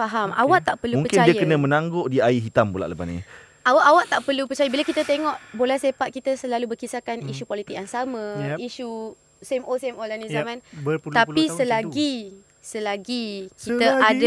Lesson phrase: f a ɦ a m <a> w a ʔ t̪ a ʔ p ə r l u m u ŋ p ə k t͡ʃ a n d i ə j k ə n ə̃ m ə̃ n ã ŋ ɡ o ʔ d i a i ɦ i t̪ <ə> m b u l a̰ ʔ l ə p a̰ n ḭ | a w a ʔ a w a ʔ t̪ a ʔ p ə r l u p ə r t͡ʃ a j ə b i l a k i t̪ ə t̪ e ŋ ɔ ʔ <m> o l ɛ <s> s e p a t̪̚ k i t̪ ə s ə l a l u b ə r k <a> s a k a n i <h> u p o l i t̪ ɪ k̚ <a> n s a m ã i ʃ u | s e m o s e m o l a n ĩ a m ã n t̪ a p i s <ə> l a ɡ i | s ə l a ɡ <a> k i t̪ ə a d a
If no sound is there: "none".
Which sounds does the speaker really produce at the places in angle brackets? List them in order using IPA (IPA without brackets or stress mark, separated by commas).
a, a, b, h, i, ʃ, a, ə, i